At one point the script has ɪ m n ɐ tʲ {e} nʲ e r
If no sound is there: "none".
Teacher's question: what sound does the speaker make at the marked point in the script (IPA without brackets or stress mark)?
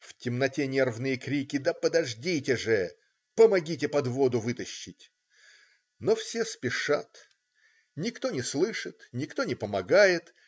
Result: e